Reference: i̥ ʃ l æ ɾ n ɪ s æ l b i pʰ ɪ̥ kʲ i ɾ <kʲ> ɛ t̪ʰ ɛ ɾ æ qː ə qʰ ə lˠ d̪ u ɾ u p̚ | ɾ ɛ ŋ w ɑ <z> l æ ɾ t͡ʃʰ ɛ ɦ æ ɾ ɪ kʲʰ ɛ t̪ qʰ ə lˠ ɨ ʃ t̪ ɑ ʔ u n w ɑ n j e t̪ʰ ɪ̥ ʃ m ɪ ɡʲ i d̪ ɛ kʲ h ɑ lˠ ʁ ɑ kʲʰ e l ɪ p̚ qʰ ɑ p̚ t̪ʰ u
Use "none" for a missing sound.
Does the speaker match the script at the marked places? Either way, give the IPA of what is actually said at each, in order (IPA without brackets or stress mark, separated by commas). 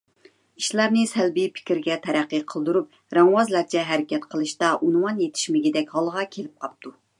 ɡʲ, z